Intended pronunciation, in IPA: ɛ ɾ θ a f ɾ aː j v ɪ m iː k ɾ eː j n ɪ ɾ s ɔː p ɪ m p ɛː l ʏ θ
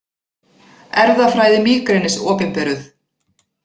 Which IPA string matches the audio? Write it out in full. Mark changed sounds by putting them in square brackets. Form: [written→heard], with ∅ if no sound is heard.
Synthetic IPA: ɛ ɾ [θ→ð] a f ɾ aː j [v→ð] ɪ m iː k ɾ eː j n ɪ [ɾ→∅] s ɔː p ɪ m p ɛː [l→ɾ] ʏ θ